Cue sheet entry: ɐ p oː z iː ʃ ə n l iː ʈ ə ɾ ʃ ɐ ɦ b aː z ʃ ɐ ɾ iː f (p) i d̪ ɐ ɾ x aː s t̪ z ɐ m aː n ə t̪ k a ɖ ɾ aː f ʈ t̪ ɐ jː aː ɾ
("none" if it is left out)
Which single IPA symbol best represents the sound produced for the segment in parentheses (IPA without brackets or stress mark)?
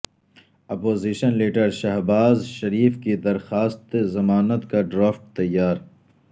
k